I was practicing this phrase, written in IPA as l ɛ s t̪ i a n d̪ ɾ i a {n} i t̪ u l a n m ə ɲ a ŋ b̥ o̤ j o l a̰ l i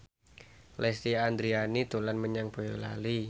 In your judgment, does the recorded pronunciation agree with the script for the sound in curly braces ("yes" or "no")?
yes